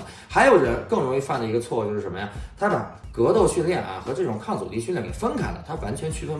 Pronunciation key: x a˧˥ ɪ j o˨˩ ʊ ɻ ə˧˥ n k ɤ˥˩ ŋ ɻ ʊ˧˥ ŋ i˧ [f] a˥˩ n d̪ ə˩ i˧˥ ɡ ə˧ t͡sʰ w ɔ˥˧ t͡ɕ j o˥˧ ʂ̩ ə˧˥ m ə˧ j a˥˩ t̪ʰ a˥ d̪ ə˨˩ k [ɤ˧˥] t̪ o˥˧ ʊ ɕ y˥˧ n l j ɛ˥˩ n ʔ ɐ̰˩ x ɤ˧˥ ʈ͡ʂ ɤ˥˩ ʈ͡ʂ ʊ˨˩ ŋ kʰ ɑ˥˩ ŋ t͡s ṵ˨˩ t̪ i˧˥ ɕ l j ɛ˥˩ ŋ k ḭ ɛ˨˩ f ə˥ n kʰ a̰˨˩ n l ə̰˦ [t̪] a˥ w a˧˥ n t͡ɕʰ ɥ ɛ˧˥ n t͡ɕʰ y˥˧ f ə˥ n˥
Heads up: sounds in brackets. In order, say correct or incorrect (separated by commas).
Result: correct, correct, incorrect